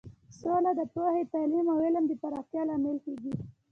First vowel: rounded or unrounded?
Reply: rounded